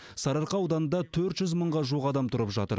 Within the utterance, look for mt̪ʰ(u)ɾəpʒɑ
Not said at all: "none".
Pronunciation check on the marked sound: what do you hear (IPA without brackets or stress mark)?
ʊ